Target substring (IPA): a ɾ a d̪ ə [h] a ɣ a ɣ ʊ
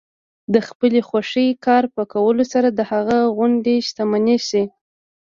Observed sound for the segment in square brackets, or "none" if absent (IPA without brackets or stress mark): h